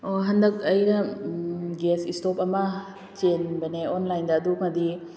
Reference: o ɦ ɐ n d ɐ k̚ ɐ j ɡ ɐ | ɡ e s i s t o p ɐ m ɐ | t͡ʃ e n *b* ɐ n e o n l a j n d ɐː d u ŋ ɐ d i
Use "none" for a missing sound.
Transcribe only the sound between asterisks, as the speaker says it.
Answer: b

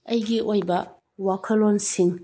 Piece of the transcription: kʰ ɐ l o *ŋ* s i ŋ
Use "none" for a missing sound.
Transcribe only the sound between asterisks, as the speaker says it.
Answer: n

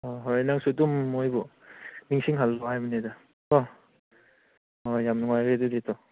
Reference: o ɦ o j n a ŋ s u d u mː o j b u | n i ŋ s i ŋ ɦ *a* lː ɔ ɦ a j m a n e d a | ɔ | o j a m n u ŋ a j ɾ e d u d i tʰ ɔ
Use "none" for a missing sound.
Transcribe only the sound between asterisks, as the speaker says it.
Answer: a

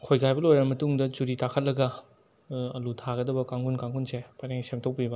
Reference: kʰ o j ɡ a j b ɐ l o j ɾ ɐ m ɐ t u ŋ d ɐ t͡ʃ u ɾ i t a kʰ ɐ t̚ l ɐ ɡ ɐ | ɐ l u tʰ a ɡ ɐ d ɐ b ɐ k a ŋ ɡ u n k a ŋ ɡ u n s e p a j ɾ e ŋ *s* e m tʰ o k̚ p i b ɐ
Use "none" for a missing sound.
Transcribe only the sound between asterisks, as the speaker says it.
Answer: s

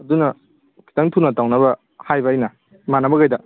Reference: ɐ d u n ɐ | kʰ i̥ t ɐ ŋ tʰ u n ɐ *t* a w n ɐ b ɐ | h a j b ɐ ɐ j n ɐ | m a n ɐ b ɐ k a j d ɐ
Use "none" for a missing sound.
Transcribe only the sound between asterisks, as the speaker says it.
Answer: t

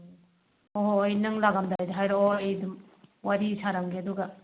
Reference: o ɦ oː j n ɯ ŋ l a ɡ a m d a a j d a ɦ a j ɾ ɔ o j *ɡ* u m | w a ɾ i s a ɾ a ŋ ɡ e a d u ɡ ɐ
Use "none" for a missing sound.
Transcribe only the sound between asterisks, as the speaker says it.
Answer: d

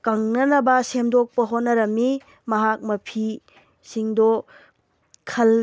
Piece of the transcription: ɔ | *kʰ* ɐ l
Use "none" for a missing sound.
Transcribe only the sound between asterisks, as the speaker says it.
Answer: kʰ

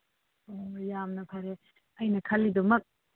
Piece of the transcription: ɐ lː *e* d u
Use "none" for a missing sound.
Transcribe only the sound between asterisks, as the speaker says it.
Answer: i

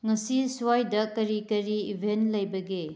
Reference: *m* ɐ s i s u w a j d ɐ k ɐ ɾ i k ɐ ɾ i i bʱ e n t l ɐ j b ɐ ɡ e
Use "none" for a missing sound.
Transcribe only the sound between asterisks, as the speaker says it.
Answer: ŋ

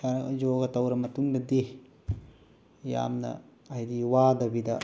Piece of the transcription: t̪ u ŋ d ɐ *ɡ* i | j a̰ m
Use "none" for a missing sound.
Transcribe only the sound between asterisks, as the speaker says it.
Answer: d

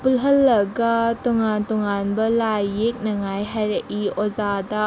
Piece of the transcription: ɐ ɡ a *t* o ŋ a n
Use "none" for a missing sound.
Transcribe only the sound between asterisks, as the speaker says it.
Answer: t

